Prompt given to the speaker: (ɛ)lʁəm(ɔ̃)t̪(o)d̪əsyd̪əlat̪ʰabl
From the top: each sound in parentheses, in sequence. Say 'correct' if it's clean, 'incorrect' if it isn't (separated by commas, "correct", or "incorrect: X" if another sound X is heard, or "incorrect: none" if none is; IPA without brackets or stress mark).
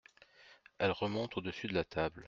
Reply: correct, correct, correct